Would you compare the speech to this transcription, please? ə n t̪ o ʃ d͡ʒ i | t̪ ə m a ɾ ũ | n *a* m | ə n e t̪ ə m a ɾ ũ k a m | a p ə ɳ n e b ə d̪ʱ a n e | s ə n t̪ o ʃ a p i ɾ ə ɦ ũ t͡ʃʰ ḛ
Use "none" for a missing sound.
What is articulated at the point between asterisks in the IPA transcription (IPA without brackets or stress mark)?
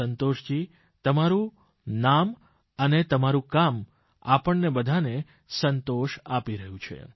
a